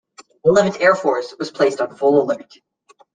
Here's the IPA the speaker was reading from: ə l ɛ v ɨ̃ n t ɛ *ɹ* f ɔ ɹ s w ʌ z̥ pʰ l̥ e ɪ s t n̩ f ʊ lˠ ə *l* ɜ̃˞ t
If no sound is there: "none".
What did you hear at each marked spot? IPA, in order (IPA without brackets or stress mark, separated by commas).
ɹ, l